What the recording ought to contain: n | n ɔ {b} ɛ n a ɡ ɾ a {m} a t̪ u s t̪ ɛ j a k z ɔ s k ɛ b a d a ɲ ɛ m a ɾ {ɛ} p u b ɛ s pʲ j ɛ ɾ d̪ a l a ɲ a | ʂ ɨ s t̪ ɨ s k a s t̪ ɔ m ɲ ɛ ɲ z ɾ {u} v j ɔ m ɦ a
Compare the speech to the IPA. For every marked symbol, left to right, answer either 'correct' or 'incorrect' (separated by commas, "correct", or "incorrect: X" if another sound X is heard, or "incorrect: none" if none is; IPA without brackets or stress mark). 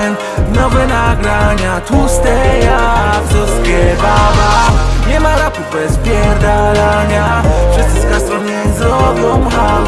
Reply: incorrect: v, incorrect: ɲ, incorrect: a, incorrect: ɔ